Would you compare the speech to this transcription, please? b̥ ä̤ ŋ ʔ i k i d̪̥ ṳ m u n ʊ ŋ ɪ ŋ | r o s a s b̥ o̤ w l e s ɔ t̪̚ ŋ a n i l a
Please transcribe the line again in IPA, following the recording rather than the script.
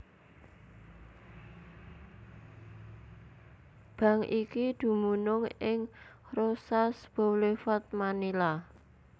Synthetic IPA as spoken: b̥ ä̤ ŋ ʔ i k i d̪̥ ṳ m u n ʊ ŋ ɪ ŋ | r o s a s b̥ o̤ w l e f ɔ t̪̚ m a n i l a